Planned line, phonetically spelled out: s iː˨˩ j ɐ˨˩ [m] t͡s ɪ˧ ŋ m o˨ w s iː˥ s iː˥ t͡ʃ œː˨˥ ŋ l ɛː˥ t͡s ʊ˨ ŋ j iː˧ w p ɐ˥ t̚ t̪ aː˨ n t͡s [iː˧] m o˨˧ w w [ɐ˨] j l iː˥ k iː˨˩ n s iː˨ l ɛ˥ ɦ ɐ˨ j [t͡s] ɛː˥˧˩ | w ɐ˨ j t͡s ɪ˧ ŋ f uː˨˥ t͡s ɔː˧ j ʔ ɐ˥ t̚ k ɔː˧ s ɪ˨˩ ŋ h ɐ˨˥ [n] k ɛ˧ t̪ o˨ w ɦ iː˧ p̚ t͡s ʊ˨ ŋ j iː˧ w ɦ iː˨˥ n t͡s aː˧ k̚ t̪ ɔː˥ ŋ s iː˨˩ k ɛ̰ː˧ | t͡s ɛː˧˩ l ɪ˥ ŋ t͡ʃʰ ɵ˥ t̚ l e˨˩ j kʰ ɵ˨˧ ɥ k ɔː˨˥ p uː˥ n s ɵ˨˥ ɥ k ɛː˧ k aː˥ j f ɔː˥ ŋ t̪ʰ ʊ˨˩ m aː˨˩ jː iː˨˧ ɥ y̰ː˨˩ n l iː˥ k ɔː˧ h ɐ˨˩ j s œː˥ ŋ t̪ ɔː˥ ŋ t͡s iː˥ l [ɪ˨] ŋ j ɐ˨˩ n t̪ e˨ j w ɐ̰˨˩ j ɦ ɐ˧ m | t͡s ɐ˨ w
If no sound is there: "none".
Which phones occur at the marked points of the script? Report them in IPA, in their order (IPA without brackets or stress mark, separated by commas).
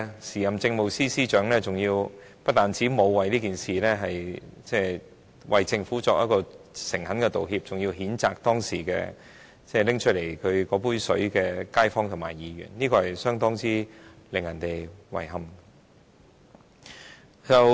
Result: m, iː˨˥, ɐ˨, t͡s, n, ɪ˨